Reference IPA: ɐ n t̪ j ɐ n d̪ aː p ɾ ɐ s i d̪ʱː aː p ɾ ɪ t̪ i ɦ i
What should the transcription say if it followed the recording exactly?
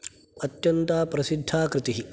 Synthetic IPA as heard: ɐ t̪ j ɐ n t̪ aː p ɾ ɐ s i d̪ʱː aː k ɾ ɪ t̪ i ɦ i